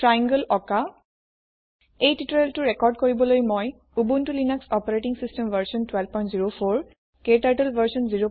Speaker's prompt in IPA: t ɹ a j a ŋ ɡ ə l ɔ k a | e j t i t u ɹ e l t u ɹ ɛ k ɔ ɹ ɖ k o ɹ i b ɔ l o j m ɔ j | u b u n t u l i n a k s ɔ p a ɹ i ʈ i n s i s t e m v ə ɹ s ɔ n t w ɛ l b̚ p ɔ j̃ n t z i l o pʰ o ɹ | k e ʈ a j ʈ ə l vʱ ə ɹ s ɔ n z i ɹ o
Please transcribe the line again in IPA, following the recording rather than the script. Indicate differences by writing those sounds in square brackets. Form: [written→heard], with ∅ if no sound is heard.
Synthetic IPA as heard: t ɹ a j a ŋ ɡ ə l ɔ k a | e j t i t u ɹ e l t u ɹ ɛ k ɔ ɹ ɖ k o ɹ i b ɔ l o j m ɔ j | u b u n t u l i n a k s ɔ p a ɹ [i→e] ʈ i [n→ŋ] s i s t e m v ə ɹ s ɔ n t w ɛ l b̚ p ɔ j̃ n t z i [l→ɹ] o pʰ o ɹ | k e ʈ a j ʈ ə l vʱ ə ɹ s ɔ n z i ɹ o

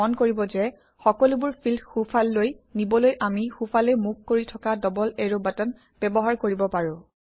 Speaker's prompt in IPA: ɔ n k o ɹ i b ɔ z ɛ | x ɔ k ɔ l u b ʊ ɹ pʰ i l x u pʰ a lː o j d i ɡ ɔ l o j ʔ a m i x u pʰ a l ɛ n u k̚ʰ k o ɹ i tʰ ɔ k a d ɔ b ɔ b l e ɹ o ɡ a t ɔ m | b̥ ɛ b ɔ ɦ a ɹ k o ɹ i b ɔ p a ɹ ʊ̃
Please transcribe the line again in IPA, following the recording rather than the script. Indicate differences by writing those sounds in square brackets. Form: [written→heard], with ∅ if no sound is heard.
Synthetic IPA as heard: ɔ n k o ɹ i b ɔ z ɛ | x ɔ k ɔ l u b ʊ ɹ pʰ i l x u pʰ a lː o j [d→n] i [ɡ→b] ɔ l o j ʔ a m i x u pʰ a l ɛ [n→m] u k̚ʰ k o ɹ i tʰ ɔ k a d ɔ b ɔ [b→∅] l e ɹ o [ɡ→b] a t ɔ [m→n] | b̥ ɛ b ɔ ɦ a ɹ k o ɹ i b ɔ p a ɹ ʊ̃

